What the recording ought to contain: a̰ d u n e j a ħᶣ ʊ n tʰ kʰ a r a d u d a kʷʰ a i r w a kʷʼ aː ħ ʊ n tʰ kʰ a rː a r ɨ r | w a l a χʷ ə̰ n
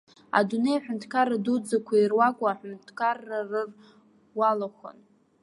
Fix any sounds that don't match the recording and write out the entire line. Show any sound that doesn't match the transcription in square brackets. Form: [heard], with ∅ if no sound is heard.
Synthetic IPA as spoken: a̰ d u n e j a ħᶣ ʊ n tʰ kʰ a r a d u [d͡z] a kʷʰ a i r w a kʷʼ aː ħ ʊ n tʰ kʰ a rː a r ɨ r | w a l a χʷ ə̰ n